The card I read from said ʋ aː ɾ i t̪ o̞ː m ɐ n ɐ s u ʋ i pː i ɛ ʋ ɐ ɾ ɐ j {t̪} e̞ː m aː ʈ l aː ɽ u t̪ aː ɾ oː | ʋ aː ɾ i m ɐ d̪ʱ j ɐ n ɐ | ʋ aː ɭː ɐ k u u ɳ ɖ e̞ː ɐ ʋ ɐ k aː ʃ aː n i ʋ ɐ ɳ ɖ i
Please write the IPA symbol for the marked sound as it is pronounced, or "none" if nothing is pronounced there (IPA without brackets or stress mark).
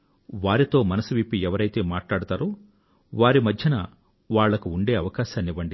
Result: t̪